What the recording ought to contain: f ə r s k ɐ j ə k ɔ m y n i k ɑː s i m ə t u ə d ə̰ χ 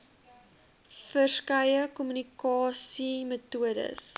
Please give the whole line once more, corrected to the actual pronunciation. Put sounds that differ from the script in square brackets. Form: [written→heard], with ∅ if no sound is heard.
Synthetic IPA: f ə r s k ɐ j ə k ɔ m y n i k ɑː s i m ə t u ə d ə̰ [χ→s]

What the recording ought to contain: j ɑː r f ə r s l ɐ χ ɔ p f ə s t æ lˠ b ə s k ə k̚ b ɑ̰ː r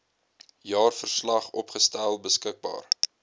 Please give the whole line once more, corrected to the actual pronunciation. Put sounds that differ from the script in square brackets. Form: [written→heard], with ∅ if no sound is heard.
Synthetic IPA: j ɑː r f ə r s l ɐ χ ɔ p [f→χ] ə s t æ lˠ b ə s k ə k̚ b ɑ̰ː r

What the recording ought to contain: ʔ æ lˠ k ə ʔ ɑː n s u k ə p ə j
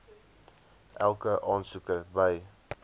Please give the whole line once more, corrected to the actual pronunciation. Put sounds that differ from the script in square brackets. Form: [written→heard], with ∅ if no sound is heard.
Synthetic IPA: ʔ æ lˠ k ə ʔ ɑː n s u k ə [p→b] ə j

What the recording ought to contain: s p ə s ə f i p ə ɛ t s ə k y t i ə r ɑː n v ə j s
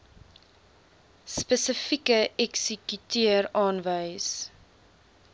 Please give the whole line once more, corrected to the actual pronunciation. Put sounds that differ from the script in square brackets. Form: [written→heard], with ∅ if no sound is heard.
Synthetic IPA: s p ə s ə f i [p→k] ə ɛ [t→k] s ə k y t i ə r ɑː n v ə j s

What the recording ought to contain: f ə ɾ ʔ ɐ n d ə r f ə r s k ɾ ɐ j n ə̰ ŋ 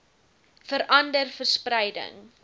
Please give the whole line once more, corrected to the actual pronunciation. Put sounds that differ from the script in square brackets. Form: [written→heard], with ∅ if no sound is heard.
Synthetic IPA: f ə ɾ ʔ ɐ n d ə r f ə r s [k→p] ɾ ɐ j [n→d] ə̰ ŋ

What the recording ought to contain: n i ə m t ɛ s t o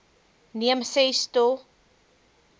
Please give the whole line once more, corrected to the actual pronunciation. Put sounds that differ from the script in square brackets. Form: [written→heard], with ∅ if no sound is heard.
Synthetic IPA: n i ə m [t→s] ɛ s t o

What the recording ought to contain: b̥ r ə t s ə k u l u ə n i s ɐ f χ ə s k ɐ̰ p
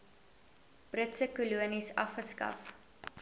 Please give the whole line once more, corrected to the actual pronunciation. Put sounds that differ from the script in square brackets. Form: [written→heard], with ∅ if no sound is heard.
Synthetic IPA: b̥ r ə t s ə k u l u ə n i s ɐ f χ ə s k ɐ̰ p

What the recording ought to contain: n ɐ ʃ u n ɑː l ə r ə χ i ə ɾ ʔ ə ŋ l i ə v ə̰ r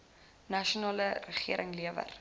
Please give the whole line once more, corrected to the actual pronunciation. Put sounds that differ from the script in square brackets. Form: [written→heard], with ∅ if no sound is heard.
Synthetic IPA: n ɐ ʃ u n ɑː l ə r ə χ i ə ɾ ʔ ə ŋ l i ə v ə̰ r

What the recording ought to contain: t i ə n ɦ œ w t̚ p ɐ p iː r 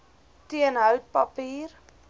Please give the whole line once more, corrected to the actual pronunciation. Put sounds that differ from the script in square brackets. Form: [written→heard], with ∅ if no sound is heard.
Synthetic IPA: t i ə n ɦ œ w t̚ p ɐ p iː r

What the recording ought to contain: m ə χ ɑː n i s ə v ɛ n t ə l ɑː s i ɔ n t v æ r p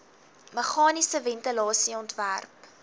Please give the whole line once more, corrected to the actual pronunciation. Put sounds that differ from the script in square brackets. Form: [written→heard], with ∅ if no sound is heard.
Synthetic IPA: m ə χ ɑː n i s ə v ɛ n t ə l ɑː s i ɔ n t v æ r p

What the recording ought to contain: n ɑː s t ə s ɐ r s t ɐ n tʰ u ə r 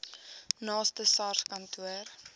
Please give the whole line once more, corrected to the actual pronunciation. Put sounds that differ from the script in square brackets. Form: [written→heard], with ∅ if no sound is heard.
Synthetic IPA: n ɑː s t ə s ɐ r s [t→k] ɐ n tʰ u ə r

